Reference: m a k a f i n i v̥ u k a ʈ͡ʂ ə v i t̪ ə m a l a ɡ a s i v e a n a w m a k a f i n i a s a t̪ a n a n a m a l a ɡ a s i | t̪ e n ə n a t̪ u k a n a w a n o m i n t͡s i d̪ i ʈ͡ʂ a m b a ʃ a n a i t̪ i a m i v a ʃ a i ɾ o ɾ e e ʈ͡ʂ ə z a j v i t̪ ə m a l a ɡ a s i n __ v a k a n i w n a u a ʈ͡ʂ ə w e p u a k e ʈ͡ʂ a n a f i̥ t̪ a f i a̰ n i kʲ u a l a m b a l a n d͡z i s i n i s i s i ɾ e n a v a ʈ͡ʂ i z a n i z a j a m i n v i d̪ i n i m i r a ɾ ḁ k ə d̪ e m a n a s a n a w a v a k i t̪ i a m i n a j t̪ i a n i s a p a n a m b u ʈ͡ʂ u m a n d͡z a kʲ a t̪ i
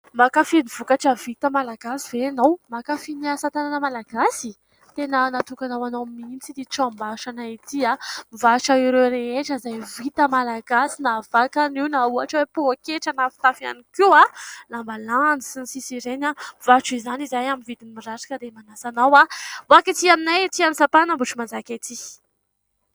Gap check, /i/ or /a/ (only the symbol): a